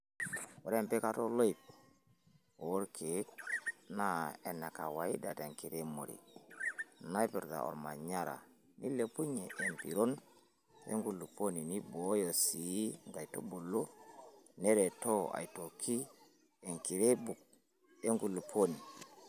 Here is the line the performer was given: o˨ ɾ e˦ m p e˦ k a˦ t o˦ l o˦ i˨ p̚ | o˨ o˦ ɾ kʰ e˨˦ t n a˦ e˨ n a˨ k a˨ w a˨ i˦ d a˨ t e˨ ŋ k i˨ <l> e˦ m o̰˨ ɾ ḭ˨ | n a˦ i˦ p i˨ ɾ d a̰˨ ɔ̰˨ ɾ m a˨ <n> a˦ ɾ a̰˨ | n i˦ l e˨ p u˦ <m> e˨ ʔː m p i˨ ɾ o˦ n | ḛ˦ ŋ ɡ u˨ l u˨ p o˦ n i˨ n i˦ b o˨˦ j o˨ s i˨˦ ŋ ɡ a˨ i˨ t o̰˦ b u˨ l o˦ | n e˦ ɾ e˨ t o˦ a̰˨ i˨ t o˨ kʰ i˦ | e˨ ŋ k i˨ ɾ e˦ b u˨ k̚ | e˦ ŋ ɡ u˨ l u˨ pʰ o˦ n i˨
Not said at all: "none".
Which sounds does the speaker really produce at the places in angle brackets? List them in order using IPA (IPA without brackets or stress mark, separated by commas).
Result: ɾ, ɲ, ɲ